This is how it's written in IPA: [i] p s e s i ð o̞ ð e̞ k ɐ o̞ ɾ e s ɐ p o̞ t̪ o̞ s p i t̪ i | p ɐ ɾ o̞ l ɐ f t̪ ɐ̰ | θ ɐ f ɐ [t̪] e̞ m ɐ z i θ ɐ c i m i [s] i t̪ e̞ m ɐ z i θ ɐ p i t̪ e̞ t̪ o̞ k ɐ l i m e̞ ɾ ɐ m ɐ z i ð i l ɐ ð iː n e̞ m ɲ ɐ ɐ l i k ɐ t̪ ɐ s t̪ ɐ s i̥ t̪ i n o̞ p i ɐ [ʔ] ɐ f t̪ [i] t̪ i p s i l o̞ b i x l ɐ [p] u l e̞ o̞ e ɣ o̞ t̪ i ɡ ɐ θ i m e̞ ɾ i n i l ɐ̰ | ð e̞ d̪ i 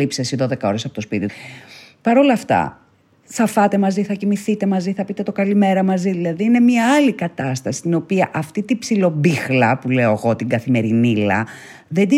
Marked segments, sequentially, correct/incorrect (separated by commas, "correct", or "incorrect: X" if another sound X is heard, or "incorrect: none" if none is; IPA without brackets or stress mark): correct, correct, incorrect: θ, correct, correct, correct